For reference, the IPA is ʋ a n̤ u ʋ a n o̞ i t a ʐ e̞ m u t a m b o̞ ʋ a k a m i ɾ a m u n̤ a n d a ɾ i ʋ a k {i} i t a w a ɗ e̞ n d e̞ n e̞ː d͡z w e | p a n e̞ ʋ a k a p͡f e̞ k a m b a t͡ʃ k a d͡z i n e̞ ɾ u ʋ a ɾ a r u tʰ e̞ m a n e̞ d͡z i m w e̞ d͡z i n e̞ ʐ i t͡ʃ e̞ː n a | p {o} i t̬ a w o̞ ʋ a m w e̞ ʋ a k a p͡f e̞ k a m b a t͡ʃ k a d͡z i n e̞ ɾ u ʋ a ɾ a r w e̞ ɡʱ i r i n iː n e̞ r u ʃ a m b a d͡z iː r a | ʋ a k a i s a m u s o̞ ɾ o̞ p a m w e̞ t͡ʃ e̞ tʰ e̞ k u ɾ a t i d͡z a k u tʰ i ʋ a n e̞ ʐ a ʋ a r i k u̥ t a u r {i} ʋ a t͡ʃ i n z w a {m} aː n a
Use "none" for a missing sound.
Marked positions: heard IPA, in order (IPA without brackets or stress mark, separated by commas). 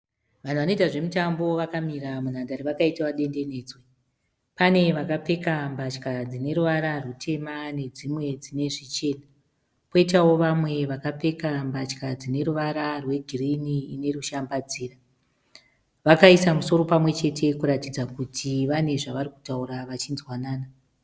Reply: a, o, a, n